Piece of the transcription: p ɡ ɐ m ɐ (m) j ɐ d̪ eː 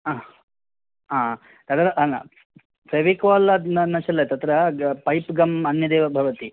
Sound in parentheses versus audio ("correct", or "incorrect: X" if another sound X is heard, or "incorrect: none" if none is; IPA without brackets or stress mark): incorrect: n